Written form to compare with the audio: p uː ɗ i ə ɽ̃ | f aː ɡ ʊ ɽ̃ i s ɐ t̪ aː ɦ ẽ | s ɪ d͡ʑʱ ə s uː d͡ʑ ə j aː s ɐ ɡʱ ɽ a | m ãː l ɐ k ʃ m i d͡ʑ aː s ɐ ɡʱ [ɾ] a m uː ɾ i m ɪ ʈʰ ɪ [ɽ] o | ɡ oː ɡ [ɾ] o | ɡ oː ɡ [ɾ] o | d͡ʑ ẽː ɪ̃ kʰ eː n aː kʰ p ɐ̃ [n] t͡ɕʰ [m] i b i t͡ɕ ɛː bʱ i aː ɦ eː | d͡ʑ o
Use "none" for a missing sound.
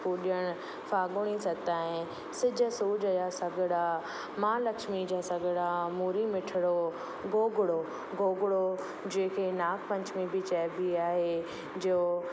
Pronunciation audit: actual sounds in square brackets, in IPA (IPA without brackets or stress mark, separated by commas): ɽ, ɽ, ɽ, ɽ, ɲ, m